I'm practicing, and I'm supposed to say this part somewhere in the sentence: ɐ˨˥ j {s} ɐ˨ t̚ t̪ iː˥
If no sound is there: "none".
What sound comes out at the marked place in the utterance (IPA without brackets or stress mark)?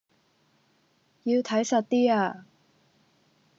s